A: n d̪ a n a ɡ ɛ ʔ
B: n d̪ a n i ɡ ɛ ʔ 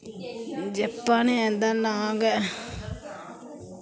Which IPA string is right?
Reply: A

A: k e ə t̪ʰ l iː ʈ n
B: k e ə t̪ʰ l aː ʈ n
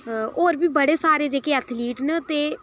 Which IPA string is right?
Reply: A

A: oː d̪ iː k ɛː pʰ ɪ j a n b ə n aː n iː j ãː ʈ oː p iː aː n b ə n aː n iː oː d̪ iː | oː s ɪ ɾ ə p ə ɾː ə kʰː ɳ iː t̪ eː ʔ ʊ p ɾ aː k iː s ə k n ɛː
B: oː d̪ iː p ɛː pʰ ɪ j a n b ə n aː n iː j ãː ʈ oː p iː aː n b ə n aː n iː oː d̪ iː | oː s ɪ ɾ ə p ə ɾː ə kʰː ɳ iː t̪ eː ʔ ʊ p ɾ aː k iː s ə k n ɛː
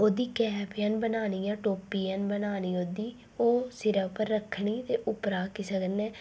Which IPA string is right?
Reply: A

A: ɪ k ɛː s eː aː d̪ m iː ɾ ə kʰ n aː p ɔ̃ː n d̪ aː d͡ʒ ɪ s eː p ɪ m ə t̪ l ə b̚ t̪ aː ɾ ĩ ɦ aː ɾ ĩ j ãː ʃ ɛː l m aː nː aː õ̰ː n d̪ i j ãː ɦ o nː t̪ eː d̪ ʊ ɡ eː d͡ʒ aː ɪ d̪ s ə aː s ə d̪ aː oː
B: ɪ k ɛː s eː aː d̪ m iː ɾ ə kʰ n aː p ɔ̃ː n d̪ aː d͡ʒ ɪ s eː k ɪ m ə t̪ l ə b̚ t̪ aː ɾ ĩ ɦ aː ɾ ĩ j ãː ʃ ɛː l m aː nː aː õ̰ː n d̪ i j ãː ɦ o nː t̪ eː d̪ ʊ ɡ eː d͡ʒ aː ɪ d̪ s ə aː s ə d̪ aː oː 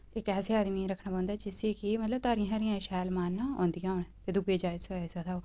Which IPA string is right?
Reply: B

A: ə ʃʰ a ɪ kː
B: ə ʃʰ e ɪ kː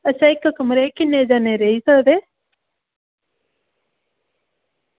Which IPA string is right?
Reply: A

